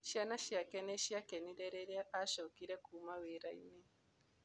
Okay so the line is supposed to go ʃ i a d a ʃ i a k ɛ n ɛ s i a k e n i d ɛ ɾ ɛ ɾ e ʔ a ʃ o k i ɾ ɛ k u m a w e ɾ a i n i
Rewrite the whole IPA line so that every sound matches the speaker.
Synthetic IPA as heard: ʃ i a n a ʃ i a k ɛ n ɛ ʃ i a k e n i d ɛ ɾ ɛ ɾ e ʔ a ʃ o k i ɾ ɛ k u m a w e ɾ a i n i

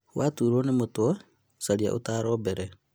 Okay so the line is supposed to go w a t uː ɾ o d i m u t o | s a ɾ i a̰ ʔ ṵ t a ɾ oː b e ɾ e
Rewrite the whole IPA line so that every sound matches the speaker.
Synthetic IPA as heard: w a t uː ɾ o n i m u t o | s a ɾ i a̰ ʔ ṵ t a ɾ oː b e ɾ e

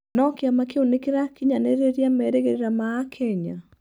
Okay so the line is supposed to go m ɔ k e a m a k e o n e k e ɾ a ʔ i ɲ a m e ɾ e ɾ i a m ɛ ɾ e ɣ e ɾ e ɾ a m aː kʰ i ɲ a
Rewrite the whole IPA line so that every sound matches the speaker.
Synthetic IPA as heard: n ɔ k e a m a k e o n e k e ɾ a k i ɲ a n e ɾ e ɾ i a m ɛ ɾ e ɣ e ɾ e ɾ a m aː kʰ ɛ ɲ a

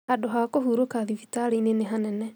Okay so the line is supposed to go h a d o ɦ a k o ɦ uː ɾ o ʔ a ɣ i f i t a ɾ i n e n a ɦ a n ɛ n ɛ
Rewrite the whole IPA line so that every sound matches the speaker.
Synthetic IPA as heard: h a d o ɦ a k o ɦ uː ɾ o k a ð i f i t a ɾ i n e n e ɦ a n ɛ n ɛ

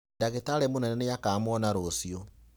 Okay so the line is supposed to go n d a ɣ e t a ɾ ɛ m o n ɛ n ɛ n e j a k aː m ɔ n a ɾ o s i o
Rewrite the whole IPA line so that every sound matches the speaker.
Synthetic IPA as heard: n d a ɣ e t a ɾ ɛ m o n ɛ n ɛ n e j a k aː m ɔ n a ɾ o s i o

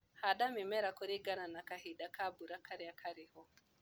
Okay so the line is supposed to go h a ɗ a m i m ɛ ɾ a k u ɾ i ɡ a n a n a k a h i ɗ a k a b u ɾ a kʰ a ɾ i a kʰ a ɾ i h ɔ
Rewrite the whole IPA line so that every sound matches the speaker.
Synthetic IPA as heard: h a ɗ a m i m ɛ ɾ a k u ɾ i ɡ a n a n a k a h i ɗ a k a b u ɾ a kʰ a ɾ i a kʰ a ɾ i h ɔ

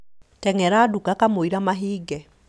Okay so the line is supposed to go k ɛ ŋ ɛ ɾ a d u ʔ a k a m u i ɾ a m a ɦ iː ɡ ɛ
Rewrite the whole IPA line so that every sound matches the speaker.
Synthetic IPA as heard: t ɛ ŋ ɛ ɾ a d u k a k a m o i ɾ a m a ɦ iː ɡ ɛ

